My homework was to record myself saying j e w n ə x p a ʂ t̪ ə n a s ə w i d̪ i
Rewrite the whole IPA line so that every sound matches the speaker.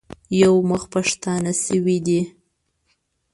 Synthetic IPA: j a w m ə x p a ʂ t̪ ɑ n a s ə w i d̪ i